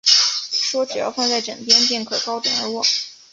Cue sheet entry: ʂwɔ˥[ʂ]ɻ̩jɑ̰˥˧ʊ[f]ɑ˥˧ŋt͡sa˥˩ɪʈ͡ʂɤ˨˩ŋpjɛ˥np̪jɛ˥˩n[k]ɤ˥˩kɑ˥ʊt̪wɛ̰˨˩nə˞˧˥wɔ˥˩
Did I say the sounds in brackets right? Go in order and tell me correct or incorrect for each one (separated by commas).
incorrect, correct, incorrect